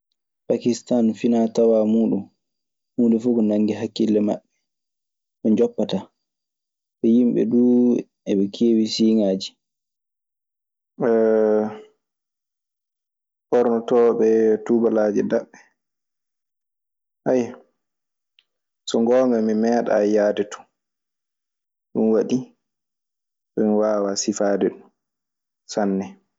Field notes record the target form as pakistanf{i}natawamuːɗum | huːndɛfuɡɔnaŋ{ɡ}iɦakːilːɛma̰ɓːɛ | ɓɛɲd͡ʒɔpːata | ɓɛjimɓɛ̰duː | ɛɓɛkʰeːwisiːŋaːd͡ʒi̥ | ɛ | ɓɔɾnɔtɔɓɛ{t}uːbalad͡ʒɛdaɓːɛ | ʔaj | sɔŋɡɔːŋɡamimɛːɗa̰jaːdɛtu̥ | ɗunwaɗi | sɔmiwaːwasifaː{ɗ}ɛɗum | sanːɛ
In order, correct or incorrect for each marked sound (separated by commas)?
correct, correct, correct, incorrect